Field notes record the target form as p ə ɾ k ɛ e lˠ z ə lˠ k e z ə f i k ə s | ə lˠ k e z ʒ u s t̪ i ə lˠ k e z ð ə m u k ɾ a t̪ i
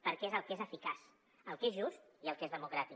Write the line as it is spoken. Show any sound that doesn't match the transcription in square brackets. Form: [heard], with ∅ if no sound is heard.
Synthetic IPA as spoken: p ə ɾ k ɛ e [∅] z ə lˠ k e z ə f i k [a] s | ə lˠ k e z ʒ u s t̪ i ə lˠ k e z ð ə m u k ɾ a t̪ i